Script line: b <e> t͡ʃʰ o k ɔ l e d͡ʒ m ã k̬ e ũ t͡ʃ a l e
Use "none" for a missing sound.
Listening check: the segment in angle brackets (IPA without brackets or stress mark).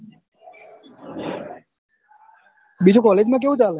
i